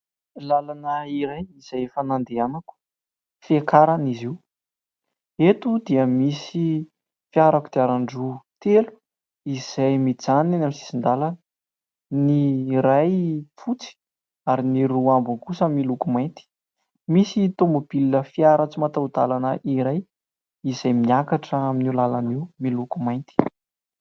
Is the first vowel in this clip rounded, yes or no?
no